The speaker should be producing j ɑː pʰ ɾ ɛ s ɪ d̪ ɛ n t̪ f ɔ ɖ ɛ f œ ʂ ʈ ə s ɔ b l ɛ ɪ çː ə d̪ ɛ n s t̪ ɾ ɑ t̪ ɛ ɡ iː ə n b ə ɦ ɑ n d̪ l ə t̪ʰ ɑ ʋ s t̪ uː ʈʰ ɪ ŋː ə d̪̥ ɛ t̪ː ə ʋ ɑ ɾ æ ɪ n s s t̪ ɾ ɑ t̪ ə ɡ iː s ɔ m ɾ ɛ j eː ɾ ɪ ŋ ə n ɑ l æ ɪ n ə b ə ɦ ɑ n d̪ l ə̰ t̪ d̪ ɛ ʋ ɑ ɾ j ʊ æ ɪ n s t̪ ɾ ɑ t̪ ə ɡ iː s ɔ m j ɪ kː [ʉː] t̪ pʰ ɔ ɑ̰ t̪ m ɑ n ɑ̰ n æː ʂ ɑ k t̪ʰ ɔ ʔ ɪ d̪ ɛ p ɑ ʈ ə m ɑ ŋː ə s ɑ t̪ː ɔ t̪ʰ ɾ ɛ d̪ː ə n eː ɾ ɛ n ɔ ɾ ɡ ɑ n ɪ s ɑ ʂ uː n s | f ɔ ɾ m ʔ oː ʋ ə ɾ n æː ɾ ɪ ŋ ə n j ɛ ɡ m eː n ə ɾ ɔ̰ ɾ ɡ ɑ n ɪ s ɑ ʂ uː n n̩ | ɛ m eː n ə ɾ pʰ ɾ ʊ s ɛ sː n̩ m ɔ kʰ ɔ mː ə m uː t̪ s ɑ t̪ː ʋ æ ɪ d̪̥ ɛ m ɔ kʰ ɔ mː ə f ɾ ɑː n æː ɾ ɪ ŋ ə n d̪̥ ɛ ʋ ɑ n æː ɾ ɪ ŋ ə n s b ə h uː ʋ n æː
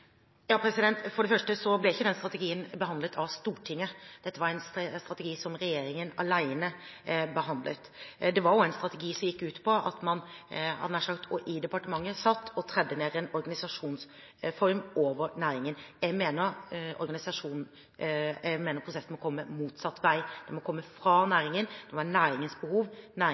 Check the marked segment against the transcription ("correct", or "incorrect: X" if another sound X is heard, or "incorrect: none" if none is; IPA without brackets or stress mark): correct